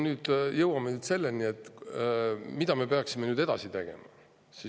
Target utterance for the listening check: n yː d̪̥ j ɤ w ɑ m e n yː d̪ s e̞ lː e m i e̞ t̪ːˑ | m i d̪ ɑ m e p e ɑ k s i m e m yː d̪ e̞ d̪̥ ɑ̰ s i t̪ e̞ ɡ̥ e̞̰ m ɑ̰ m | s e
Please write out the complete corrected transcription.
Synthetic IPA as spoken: n yː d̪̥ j ɤ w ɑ m e n yː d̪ s e̞ lː e n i e̞ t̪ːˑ | m i d̪ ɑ m e p e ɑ k s i m e n yː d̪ e̞ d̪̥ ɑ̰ s i t̪ e̞ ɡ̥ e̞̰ m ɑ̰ | s i

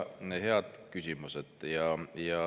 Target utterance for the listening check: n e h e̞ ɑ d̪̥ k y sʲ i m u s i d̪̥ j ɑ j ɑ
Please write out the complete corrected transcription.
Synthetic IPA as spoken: n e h e̞ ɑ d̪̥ k y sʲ i m u s e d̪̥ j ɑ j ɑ

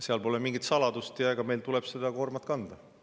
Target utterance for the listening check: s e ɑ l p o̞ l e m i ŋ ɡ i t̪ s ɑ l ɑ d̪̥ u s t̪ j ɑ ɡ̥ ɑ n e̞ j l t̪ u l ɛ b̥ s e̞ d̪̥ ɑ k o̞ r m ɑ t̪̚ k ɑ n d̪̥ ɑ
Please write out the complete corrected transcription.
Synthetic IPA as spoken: s e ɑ l p o̞ l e m i ŋ ɡ i t̪ s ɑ l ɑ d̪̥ u s t̪ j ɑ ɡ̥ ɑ m e̞ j l t̪ u l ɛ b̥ s e̞ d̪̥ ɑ k o̞ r m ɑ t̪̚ k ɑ n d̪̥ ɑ

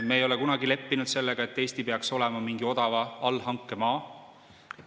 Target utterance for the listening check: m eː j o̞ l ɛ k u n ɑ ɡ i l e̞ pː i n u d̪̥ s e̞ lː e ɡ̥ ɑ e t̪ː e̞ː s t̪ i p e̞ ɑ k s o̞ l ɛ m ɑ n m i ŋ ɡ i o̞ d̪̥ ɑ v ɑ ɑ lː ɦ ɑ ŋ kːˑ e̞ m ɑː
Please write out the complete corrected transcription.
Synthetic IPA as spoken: m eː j o̞ l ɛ k u n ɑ ɡ i l e̞ pː i n u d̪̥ s e̞ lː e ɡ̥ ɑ e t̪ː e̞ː s t̪ i p e̞ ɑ k s o̞ l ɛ m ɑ m i ŋ ɡ i o̞ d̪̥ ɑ v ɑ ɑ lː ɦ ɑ ŋ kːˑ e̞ m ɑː

